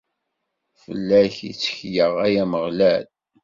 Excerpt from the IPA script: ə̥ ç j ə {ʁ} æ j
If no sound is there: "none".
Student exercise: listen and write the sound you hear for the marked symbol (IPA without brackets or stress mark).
ʁ